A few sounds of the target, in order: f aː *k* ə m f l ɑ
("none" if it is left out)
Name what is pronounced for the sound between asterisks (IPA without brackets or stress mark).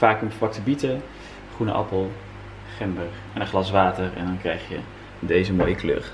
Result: k